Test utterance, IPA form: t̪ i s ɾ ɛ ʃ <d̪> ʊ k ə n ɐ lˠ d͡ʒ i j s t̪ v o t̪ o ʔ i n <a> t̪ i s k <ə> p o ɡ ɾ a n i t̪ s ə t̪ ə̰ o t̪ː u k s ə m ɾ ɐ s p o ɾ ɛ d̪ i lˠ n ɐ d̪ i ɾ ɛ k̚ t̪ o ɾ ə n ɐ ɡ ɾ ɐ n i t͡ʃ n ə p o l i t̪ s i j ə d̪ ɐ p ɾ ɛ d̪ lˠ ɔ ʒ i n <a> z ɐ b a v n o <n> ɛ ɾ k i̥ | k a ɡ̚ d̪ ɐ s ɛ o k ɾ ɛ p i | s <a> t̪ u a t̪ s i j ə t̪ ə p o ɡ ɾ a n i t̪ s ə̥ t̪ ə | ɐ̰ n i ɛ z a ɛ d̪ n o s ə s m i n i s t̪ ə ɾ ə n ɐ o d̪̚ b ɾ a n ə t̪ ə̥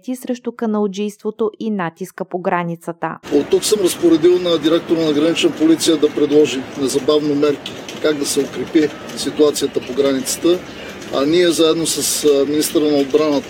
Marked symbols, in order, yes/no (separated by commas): no, yes, yes, no, no, no